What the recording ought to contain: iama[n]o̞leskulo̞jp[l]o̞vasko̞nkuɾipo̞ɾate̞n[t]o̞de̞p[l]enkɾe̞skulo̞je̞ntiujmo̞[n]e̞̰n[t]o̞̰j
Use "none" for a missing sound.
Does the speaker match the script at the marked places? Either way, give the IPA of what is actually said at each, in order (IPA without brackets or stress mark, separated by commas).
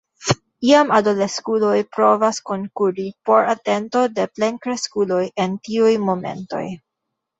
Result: d, ɾ, t, l, m, t